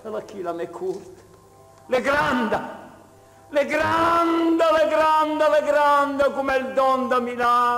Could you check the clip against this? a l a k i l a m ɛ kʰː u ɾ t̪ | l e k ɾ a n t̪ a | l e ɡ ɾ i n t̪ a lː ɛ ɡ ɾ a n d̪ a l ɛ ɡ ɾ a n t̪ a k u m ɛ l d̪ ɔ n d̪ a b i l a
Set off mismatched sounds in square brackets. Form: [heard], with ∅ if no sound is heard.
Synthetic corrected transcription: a l a k i l a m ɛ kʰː u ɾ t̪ | l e [ɡ] ɾ a n [d̪] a | l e ɡ ɾ [a] n [d̪] a [l] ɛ ɡ ɾ a n d̪ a l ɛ ɡ ɾ a n [d̪] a k u m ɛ l d̪ ɔ n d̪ a [m] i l a